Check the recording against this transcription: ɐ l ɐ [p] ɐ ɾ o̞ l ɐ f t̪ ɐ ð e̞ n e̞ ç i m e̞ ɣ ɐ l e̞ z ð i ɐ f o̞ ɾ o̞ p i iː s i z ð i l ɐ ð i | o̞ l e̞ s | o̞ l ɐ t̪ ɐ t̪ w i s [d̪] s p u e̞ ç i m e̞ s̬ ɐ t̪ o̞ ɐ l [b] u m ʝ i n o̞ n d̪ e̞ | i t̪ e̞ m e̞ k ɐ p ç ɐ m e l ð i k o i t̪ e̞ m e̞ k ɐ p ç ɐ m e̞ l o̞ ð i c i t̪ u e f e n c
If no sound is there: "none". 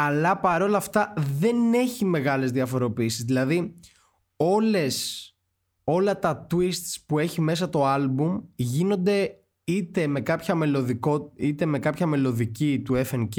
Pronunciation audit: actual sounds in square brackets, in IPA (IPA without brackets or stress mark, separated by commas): p, t̪, b